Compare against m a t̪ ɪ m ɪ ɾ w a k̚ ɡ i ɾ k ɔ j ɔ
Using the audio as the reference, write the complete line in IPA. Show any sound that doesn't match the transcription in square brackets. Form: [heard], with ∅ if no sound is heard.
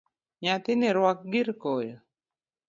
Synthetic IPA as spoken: [ɲ] a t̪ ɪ [n] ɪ ɾ w a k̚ ɡ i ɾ k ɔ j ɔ